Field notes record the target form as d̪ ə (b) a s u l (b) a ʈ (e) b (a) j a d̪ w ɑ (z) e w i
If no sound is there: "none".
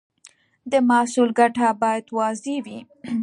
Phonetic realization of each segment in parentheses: m, ɡ, a, ɑ, z

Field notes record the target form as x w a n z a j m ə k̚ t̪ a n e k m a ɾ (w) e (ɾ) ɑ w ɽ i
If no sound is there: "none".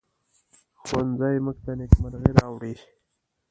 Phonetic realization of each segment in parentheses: ɣ, ɾ

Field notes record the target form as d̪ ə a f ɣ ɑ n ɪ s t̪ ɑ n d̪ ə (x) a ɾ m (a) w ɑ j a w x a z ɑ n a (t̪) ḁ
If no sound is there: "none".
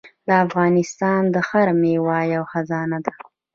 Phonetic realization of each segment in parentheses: x, e, d̪

